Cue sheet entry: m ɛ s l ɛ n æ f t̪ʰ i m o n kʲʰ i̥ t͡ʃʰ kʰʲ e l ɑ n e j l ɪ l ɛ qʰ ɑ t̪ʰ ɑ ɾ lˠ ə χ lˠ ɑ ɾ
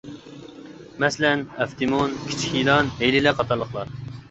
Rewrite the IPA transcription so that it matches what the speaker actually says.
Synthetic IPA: m ɛ s l ɛ n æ f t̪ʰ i m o n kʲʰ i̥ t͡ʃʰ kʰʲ i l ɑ n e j l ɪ l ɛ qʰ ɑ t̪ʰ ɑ ɾ lˠ ə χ lˠ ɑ ɾ